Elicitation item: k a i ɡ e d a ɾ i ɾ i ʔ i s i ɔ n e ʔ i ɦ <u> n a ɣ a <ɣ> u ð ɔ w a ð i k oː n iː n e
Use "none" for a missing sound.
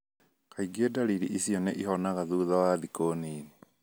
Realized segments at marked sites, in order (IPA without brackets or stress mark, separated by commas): ɔ, ð